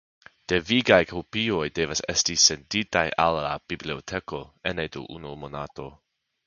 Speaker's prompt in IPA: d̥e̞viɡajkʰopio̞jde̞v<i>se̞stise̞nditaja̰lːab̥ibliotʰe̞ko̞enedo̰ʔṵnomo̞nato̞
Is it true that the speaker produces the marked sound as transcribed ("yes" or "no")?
no